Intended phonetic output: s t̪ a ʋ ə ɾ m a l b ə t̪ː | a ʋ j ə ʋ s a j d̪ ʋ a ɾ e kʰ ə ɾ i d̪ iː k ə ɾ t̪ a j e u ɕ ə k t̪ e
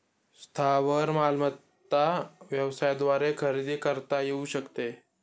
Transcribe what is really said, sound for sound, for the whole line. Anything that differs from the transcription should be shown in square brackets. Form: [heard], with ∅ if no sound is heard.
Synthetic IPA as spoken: s [t̪ʰ] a ʋ ə ɾ m a l [m] ə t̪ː | a ʋ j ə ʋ s a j d̪ ʋ a ɾ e kʰ ə ɾ i d̪ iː k ə ɾ t̪ a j e u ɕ ə k t̪ e